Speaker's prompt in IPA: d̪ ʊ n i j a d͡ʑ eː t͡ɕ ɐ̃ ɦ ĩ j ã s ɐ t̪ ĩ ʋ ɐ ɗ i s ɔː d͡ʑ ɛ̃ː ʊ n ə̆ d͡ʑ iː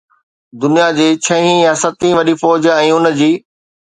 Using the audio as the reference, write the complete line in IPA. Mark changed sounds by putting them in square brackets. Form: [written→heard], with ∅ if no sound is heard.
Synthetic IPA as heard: d̪ ʊ n i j a d͡ʑ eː [t͡ɕ→t͡ɕʰ] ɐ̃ ɦ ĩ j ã s ɐ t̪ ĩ ʋ ɐ ɗ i [s→f] ɔː d͡ʑ ɛ̃ː ʊ n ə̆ d͡ʑ iː